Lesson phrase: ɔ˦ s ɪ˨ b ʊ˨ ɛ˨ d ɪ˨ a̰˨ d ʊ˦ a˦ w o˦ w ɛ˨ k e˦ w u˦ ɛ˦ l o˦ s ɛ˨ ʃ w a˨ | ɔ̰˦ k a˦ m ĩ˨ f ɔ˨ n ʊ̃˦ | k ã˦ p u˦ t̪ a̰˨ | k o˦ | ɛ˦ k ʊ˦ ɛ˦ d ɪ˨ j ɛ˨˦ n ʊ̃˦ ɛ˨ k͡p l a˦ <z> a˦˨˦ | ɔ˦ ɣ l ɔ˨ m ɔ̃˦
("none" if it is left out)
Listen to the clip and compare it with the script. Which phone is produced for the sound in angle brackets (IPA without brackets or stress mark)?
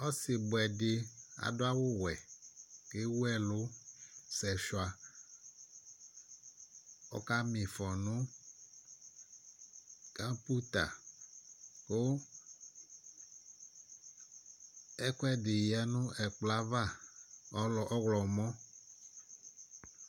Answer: v